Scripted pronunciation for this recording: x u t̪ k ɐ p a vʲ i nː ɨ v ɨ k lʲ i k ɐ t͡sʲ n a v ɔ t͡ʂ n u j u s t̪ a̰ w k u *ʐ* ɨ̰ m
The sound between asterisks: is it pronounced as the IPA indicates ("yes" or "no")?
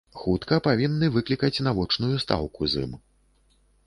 no